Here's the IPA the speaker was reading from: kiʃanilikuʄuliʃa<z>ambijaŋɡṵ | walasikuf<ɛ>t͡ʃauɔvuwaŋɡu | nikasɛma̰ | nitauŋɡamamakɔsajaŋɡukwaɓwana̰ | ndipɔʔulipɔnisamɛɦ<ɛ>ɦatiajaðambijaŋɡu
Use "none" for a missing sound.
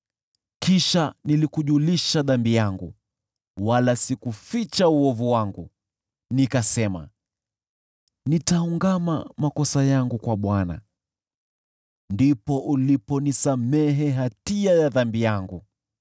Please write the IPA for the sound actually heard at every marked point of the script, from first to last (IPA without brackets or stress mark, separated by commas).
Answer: ð, i, ɛ